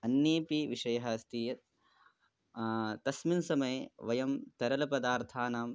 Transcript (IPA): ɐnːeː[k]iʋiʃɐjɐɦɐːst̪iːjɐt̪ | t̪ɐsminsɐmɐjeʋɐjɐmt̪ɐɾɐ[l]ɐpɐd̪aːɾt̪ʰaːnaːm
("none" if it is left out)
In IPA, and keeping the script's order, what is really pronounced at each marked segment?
p, l

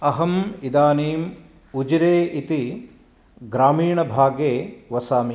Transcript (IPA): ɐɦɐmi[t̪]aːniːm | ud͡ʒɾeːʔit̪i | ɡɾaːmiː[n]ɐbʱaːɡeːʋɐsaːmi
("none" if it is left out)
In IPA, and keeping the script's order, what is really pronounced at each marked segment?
d̪, ɳ

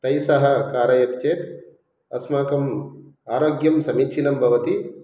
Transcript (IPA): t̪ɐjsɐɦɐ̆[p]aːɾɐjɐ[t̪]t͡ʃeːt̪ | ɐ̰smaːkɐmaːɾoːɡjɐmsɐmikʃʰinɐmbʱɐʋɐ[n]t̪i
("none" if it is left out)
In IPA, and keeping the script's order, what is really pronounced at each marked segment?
k, t̪, none

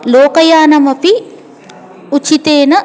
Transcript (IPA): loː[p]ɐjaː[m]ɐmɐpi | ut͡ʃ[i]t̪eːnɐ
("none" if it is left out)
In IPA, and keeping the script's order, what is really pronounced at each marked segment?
k, n, i

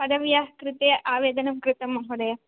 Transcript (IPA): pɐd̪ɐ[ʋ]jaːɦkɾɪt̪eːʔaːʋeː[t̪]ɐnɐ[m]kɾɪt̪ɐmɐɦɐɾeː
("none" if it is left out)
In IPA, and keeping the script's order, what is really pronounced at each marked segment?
ʋ, d̪, m

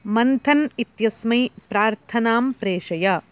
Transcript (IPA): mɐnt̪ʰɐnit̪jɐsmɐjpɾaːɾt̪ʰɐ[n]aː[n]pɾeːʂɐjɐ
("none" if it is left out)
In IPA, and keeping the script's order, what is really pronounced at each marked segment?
n, m

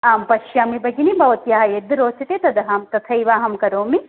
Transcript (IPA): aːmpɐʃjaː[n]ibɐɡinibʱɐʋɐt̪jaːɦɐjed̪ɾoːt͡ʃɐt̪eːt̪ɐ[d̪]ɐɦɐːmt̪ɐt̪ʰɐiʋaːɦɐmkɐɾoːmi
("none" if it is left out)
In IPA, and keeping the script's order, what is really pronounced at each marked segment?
m, d̪

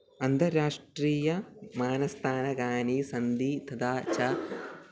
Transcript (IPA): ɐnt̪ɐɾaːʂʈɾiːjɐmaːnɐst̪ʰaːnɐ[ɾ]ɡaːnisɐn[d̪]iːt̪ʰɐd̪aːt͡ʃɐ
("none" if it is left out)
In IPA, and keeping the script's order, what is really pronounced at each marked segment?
none, d̪

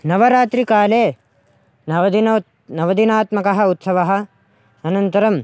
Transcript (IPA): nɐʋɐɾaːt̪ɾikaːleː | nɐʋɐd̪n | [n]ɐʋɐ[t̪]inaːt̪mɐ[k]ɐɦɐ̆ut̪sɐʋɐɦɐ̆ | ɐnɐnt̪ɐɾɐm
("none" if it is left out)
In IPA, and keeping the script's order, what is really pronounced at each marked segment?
n, d̪, k

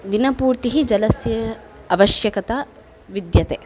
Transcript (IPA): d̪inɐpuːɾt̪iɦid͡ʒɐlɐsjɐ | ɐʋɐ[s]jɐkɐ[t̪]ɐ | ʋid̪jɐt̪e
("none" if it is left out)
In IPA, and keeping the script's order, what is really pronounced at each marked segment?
ʃ, t̪

